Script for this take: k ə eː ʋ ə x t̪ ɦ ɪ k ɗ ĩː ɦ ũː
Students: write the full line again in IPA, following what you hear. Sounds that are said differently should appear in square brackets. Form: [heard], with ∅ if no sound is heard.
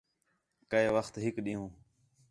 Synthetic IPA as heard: k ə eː ʋ ə x t̪ ɦ ɪ k ɗ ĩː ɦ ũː